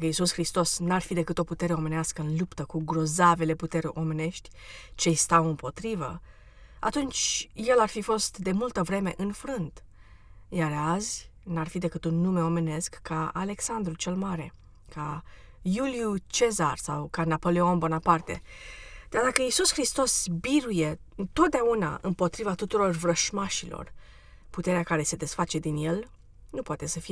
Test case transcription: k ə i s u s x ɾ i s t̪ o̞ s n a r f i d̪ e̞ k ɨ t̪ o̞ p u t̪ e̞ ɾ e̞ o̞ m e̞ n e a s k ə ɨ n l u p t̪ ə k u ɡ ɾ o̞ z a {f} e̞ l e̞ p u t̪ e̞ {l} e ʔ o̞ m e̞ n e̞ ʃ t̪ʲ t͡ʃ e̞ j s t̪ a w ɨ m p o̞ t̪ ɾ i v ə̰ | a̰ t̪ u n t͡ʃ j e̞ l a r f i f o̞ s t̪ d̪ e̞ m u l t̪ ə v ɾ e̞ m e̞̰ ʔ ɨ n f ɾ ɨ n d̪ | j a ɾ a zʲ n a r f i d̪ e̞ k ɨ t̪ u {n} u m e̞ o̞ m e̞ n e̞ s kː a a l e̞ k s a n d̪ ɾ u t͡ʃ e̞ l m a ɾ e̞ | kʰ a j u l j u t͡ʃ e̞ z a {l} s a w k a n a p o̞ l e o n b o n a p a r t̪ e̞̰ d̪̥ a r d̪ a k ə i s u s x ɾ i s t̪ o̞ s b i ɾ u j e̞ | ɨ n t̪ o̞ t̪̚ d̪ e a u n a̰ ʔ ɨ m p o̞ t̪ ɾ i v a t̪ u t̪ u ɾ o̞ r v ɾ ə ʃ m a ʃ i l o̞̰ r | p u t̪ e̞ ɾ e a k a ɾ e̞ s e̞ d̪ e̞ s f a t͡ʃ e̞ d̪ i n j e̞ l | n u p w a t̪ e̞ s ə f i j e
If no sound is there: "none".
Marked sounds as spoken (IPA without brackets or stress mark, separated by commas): v, ɾ, nː, r